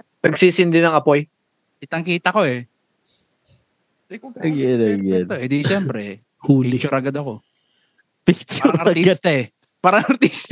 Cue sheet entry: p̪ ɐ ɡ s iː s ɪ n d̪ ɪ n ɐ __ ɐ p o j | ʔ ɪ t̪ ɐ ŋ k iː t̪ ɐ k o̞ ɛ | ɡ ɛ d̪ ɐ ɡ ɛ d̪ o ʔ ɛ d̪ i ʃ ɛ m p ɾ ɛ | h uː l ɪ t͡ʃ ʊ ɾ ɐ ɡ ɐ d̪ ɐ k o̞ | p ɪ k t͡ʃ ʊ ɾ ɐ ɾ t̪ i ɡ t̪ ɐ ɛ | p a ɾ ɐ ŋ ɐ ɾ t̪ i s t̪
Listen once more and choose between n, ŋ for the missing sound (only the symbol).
ŋ